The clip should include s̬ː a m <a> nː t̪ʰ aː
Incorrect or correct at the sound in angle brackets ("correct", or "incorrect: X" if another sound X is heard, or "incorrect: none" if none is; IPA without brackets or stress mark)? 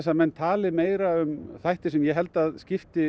incorrect: ɛ